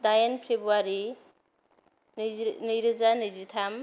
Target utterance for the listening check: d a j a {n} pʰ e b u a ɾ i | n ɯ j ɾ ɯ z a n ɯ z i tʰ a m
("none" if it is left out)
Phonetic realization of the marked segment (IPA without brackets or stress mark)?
n